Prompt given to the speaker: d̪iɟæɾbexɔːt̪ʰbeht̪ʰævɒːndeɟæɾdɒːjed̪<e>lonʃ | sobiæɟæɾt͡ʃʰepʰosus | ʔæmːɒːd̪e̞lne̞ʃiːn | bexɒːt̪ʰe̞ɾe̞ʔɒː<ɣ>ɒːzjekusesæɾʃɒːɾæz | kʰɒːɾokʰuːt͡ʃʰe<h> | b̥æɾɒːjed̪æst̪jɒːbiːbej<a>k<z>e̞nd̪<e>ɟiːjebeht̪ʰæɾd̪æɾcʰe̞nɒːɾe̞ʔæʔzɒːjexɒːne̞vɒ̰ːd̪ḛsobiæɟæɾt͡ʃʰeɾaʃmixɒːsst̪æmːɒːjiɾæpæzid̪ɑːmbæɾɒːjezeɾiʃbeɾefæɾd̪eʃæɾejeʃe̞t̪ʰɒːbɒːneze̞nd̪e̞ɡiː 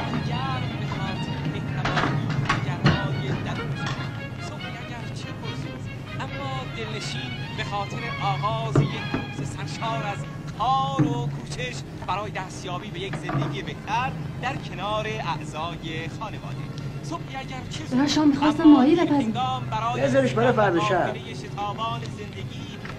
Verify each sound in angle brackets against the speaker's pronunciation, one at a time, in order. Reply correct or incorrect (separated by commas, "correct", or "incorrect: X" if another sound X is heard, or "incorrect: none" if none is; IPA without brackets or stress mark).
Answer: incorrect: æ, correct, incorrect: ʃ, incorrect: e, correct, correct